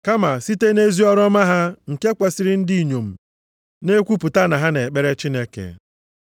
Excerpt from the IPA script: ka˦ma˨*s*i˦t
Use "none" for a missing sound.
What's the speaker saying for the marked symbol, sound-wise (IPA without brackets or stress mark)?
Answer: s